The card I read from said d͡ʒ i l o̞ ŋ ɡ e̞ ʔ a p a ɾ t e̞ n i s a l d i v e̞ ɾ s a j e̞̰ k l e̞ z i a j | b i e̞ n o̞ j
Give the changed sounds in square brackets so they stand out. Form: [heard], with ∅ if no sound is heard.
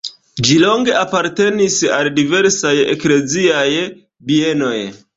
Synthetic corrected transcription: d͡ʒ i l o̞ ŋ ɡ e̞ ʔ a p a ɾ t e̞ n i s a l d i v e̞ ɾ s a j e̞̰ k l e̞ z i a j | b i e̞ n o̞ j

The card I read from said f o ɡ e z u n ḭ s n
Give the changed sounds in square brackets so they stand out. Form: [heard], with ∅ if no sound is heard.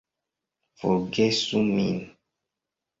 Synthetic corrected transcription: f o ɡ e [s] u [m] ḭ [∅] n

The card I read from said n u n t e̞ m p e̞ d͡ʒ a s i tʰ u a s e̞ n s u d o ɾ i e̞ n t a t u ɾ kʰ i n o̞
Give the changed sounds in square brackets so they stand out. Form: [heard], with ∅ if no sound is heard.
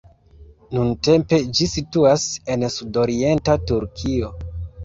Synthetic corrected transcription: n u n t e̞ m p e̞ d͡ʒ [i] s i [t] u a s e̞ n s u d o ɾ i e̞ n t a t u ɾ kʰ i [∅] o̞

